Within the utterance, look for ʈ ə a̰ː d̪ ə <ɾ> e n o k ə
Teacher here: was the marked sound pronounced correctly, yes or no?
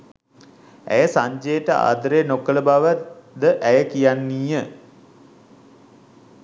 yes